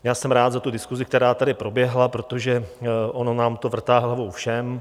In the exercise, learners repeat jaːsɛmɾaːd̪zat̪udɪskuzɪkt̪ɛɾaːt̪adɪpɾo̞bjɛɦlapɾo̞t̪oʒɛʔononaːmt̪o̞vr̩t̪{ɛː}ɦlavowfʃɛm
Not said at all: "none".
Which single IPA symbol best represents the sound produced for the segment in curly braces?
aː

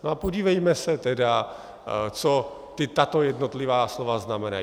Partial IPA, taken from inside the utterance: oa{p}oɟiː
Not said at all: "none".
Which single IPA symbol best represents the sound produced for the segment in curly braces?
p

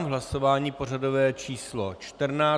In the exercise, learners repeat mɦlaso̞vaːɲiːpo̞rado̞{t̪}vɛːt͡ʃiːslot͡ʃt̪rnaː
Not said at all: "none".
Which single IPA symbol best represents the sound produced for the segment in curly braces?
none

